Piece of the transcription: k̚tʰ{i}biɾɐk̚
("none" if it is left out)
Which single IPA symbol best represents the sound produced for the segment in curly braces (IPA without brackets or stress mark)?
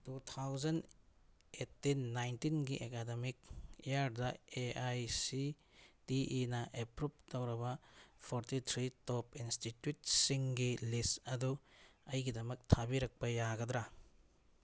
a